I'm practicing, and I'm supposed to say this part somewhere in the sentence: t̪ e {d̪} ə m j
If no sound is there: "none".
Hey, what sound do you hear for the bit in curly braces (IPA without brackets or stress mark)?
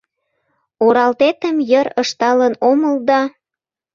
t̪